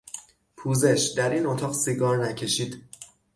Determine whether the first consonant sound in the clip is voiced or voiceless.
voiceless